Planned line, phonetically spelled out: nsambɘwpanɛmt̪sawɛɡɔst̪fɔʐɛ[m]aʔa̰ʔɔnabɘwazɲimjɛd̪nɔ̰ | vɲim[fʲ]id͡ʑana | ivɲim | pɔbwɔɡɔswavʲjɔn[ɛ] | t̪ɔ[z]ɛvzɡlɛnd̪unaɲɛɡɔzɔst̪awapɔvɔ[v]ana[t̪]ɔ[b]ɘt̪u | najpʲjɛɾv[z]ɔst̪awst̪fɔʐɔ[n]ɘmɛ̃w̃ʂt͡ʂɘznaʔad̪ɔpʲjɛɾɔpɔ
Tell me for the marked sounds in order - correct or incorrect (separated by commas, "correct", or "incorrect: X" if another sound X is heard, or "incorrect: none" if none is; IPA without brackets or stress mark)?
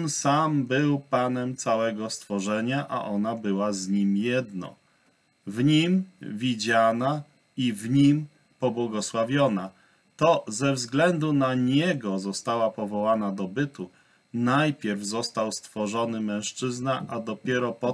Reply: incorrect: ɲ, incorrect: vʲ, incorrect: a, correct, incorrect: w, incorrect: d̪, correct, correct, correct